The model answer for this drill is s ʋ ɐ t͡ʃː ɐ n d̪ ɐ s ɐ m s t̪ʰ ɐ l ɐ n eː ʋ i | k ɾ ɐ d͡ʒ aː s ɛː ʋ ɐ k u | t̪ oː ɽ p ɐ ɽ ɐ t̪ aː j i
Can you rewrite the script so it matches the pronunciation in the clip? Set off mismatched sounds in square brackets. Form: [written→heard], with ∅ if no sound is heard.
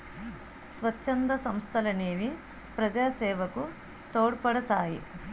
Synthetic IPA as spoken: s ʋ ɐ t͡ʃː ɐ n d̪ ɐ s ɐ m s t̪ʰ ɐ l ɐ n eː ʋ i | [k→p] ɾ ɐ d͡ʒ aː s ɛː ʋ ɐ k u | t̪ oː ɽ p ɐ ɽ ɐ t̪ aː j i